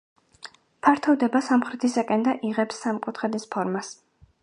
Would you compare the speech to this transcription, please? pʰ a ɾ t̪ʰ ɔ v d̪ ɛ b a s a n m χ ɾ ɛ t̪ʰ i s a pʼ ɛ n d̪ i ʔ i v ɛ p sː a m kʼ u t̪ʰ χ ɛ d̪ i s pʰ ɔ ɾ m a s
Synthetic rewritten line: pʰ a ɾ t̪ʰ ɔ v d̪ ɛ b a s a m χ ɾ ɛ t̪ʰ i s a kʼ ɛ n d̪ a ʔ i ʁ ɛ p sː a m kʼ u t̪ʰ χ ɛ d̪ i s pʰ ɔ ɾ m a s